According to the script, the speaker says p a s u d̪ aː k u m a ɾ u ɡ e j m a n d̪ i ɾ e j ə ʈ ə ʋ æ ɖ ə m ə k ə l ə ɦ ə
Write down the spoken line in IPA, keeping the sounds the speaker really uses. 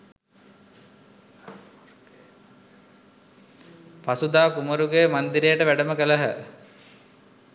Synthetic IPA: p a s u d̪ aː k u m ə ɾ u ɡ e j m a n d̪ i ɾ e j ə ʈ ə ʋ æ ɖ ə m ə k ə l ə ɦ ə